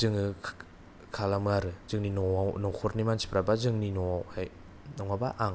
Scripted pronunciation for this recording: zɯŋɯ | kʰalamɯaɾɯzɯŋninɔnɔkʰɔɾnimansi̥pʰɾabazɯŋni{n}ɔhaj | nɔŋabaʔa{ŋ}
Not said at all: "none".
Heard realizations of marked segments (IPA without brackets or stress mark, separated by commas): n, ŋ